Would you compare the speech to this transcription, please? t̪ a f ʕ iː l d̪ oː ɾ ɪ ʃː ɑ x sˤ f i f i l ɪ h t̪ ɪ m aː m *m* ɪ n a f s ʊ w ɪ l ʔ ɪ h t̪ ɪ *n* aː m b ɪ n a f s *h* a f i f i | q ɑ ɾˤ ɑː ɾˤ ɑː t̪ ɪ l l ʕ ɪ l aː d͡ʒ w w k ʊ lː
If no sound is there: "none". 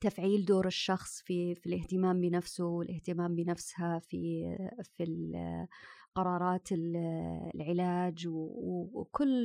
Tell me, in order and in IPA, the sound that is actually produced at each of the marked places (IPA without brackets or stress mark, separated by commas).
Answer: b, m, h